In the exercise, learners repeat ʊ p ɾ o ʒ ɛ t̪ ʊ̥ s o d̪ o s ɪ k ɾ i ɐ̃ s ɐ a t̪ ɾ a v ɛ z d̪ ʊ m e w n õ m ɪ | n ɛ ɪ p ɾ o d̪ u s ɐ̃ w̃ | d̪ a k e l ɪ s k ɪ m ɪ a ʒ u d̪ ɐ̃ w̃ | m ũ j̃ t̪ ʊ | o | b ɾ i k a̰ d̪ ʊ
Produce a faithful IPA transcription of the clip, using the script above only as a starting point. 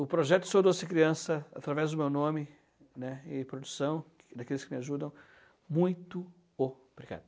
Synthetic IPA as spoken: ʊ p ɾ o ʒ ɛ t̪ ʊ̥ s o d̪ o s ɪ k ɾ i ɐ̃ s ɐ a t̪ ɾ a v ɛ z d̪ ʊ m e w n õ m ɪ | n ɛ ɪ p ɾ o d̪ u s ɐ̃ w̃ | d̪ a k e l ɪ s k ɪ m ɪ a ʒ u d̪ ɐ̃ w̃ | m ũ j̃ t̪ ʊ | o | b ɾ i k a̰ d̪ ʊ

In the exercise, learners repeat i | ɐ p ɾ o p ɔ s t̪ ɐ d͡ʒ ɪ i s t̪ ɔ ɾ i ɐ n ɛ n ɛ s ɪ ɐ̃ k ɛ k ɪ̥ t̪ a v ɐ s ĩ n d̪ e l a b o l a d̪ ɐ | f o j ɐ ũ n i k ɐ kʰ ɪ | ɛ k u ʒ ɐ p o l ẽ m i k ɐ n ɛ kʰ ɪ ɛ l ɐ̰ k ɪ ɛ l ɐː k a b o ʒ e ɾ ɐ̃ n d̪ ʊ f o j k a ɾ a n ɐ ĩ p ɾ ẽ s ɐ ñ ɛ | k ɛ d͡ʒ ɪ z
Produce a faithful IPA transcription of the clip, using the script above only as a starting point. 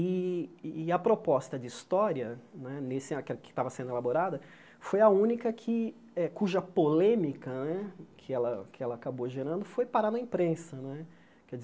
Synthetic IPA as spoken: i | ɐ p ɾ o p ɔ s t̪ ɐ d͡ʒ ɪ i s t̪ ɔ ɾ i ɐ n ɛ n e s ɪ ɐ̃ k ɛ k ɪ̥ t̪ a v ɐ s ẽ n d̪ e l a b o ɾ a d̪ ɐ | f o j ɐ ũ n i k ɐ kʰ ɪ | ɛ k u ʒ ɐ p o l ẽ m i k ɐ n ɛ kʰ ɪ ɛ l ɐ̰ k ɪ ɛ l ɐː k a b o ʒ e ɾ ɐ̃ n d̪ ʊ f o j p a ɾ a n ɐ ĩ p ɾ ẽ s ɐ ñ ɛ | k ɛ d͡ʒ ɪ z

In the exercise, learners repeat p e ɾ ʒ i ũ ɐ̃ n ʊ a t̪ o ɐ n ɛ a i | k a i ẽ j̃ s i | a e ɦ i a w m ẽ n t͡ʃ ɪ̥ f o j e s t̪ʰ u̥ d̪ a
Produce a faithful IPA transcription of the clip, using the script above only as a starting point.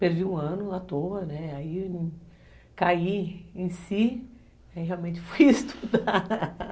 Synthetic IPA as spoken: p e ɾ v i ũ ɐ̃ n ʊ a t̪ o ɐ n ɛ a i | k a i ẽ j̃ s i | a i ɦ e a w m ẽ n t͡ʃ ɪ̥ f o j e s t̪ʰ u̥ d̪ a

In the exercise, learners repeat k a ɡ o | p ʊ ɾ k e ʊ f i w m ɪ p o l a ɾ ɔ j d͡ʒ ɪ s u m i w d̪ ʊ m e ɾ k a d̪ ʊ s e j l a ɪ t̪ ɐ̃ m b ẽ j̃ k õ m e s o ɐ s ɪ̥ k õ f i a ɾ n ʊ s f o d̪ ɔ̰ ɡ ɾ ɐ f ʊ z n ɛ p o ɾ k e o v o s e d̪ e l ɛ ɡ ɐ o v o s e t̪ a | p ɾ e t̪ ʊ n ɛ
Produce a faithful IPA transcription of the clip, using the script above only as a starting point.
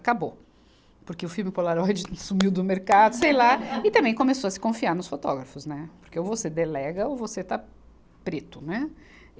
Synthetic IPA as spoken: k a b o | p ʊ ɾ k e ʊ f i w m ɪ p o l a ɾ ɔ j d͡ʒ ɪ s u m i w d̪ ʊ m e ɾ k a d̪ ʊ s e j l a ɪ t̪ ɐ̃ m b ẽ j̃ k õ m e s o ɐ s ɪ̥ k õ f i a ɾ n ʊ s f o t̪ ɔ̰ ɡ ɾ ɐ f ʊ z n ɛ p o ɾ k e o v o s e d̪ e l ɛ ɡ ɐ o v o s e t̪ a | p ɾ e t̪ ʊ n ɛ

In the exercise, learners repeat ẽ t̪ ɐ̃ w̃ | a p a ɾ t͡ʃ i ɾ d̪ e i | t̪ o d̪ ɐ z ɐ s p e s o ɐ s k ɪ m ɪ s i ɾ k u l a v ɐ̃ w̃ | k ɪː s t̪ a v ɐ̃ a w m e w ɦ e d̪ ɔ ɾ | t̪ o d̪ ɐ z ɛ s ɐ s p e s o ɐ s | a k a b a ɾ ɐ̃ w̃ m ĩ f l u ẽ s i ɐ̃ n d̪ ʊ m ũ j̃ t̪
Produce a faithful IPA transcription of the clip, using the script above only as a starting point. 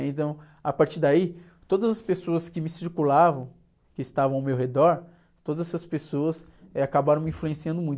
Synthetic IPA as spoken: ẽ t̪ ɐ̃ w̃ | a p a ɾ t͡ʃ i ɾ d̪ a i | t̪ o d̪ ɐ z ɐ s p e s o ɐ s k ɪ m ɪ s i ɾ k u l a v ɐ̃ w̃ | k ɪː s t̪ a v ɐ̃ a w m e w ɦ e d̪ ɔ ɾ | t̪ o d̪ ɐ z ɛ s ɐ s p e s o ɐ s | a k a b a ɾ ɐ̃ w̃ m ĩ f l u ẽ s i ɐ̃ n d̪ ʊ m ũ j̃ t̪

